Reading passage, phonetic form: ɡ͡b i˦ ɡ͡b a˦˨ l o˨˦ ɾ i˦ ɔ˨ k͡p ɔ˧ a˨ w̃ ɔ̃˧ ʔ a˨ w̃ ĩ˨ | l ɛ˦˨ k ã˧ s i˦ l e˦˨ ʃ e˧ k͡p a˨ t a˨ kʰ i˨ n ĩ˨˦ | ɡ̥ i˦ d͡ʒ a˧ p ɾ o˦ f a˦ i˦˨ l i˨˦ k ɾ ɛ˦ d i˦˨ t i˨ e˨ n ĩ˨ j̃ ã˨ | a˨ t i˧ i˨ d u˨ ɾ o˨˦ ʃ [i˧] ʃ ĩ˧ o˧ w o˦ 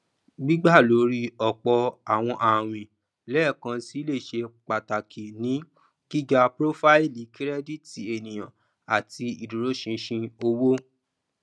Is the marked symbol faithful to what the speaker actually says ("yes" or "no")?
no